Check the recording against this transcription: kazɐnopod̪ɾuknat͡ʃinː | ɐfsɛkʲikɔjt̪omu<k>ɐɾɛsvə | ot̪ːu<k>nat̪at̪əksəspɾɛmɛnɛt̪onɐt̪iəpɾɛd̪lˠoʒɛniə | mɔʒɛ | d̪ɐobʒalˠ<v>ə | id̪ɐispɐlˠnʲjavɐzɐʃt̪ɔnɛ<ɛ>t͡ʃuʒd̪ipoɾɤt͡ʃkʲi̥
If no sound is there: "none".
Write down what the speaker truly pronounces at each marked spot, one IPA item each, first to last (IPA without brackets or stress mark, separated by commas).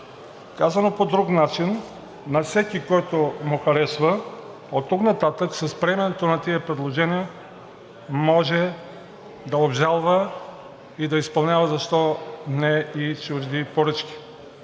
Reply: x, k, v, i